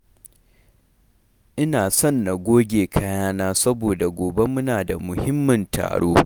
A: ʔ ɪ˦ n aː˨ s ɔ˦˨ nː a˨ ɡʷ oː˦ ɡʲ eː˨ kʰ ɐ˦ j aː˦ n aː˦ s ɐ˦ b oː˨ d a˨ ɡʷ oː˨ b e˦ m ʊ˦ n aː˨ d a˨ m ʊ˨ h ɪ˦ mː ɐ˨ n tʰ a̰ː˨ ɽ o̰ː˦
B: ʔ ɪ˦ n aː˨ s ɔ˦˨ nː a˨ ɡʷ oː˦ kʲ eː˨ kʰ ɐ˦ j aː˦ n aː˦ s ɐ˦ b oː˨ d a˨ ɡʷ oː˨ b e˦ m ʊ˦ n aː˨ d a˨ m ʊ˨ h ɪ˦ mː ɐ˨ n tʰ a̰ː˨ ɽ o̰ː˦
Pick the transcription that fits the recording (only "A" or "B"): A